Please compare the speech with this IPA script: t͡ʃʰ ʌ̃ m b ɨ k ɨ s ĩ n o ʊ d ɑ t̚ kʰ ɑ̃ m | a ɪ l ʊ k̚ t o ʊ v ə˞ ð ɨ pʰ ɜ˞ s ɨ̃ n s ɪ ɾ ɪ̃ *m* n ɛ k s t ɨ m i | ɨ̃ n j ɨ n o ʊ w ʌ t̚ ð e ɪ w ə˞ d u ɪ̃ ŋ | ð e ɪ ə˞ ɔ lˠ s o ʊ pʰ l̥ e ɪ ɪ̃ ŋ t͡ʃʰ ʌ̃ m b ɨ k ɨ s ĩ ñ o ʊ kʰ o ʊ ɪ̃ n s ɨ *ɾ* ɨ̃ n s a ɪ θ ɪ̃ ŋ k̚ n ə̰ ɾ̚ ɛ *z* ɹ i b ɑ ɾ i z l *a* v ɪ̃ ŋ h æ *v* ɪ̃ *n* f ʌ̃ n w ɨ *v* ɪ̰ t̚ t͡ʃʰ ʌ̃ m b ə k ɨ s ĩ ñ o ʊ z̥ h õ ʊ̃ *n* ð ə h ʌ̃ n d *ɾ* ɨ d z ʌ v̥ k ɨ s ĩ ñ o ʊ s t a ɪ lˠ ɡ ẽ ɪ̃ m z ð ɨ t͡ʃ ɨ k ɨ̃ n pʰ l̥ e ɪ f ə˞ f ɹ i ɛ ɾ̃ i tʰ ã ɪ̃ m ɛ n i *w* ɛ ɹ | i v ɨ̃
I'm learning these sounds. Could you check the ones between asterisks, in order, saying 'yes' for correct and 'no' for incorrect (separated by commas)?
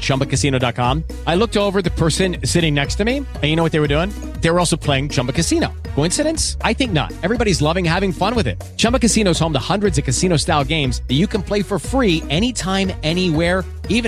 no, yes, no, no, yes, no, no, no, no, yes